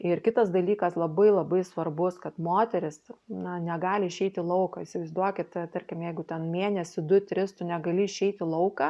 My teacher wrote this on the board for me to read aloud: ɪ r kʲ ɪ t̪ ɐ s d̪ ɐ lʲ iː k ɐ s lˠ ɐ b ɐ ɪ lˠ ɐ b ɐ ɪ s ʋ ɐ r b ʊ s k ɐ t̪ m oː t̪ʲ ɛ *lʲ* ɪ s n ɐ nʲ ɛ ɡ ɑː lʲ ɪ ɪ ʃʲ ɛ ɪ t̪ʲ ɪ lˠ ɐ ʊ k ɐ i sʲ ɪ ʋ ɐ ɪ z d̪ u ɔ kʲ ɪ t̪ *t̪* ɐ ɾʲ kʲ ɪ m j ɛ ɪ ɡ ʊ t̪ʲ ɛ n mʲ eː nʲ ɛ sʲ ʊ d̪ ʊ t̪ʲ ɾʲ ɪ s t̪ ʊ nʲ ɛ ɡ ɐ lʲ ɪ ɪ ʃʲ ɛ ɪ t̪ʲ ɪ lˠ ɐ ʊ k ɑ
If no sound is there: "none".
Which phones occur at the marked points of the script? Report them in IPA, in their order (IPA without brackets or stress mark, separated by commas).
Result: ɾʲ, t̪